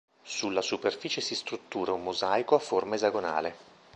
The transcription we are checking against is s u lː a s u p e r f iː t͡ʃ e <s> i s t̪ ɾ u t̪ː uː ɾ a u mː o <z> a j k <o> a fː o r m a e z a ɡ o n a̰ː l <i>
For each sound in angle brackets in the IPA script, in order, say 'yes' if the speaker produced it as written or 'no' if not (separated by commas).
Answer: yes, yes, yes, no